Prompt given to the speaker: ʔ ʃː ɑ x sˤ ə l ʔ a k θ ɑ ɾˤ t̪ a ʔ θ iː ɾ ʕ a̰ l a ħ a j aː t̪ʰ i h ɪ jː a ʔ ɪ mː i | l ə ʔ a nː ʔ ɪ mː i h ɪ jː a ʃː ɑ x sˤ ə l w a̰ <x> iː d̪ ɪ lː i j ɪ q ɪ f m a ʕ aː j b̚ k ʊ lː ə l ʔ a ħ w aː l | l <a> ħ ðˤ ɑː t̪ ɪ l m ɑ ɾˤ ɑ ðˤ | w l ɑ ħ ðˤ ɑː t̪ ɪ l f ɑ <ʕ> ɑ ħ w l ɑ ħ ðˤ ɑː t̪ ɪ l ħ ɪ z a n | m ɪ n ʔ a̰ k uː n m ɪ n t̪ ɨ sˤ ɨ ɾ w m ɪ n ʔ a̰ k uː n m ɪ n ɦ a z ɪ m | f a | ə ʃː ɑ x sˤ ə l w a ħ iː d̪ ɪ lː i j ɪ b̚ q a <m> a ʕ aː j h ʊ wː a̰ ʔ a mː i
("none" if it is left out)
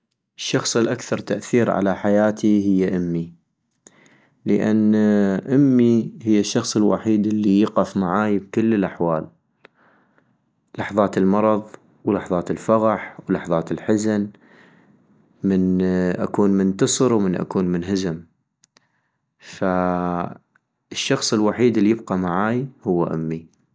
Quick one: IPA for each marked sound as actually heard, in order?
ħ, ɑ, ɣ, m

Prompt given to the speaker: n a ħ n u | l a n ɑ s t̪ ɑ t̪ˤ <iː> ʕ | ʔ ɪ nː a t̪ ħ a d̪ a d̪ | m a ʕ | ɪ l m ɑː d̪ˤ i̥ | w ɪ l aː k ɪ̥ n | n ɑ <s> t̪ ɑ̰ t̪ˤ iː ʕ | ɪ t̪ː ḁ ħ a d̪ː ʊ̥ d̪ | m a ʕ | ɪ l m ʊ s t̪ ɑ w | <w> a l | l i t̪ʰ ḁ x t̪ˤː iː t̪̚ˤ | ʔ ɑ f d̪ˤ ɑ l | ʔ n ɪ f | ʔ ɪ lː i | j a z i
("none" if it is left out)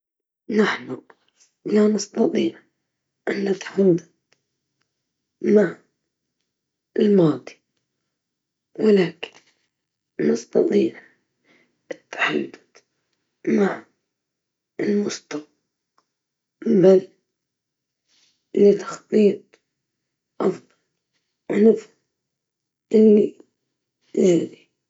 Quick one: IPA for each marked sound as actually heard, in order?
iː, s, b

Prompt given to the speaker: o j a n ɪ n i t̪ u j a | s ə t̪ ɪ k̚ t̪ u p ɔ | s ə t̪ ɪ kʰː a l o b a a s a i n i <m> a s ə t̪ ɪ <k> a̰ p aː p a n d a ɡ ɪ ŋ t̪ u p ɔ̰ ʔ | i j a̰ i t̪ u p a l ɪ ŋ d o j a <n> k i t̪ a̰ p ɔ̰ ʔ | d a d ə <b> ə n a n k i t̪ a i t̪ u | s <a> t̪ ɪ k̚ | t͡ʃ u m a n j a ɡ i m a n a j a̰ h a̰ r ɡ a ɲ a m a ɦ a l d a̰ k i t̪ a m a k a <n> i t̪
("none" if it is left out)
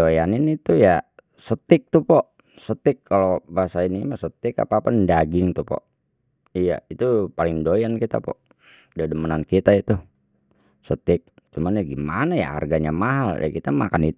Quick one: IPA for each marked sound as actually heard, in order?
m, k, n, m, ə, n

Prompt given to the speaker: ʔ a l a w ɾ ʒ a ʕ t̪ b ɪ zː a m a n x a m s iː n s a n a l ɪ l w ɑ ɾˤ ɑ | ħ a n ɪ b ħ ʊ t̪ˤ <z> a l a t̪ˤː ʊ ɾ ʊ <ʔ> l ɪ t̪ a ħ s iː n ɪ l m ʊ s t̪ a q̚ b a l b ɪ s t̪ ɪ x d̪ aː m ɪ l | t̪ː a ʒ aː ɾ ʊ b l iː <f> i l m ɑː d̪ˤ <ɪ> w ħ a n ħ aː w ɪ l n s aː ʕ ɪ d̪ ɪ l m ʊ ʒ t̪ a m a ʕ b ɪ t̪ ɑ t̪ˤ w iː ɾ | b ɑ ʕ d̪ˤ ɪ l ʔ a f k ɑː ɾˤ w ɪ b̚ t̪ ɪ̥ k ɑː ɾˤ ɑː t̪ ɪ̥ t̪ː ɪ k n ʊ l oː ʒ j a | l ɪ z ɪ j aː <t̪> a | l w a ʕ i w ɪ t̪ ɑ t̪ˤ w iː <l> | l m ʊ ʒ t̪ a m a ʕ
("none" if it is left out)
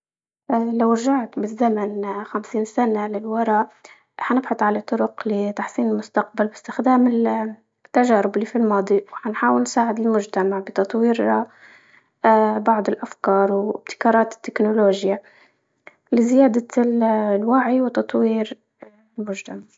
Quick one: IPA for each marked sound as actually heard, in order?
ʕ, q, f, i, d̪, ɾ

